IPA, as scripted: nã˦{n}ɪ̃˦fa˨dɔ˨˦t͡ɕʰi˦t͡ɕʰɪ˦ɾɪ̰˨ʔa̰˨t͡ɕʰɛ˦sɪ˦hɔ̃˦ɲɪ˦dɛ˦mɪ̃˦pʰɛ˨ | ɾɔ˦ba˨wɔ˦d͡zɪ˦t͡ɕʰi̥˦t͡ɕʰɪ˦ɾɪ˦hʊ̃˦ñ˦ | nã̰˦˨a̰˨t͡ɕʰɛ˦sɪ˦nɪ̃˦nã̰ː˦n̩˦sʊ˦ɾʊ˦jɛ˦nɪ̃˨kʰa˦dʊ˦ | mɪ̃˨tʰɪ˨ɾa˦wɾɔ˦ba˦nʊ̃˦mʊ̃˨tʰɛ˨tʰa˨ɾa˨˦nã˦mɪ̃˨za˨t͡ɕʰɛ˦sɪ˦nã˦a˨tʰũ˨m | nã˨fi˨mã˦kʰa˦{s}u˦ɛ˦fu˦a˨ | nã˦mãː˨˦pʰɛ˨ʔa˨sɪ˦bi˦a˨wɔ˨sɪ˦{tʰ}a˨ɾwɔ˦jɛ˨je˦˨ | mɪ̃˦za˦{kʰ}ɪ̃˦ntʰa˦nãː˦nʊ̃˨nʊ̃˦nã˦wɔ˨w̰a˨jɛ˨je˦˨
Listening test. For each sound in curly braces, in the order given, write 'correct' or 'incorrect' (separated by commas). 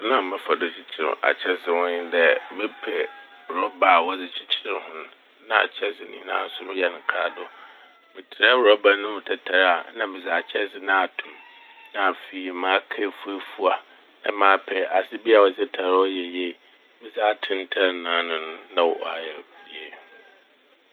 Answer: incorrect, incorrect, correct, incorrect